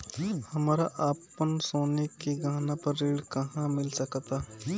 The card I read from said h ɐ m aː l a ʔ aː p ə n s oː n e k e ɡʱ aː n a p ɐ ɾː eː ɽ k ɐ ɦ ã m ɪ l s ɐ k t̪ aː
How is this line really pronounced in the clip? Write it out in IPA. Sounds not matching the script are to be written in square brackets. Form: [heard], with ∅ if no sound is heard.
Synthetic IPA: h ɐ m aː [ɾ] a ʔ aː p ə n s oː n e k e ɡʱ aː n a p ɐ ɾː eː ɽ k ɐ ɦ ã m ɪ l s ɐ k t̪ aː